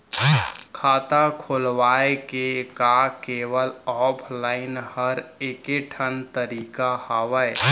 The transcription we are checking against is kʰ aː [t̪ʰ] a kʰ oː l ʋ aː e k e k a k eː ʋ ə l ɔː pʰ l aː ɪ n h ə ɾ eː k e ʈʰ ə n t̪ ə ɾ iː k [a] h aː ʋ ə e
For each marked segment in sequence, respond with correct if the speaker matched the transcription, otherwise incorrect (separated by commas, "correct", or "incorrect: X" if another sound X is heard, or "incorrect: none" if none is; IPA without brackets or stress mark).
incorrect: t̪, correct